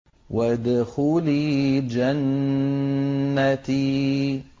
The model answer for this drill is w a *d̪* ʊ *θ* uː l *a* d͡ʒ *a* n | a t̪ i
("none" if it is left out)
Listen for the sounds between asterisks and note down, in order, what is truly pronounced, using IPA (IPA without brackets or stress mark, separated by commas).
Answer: d̪, x, i, a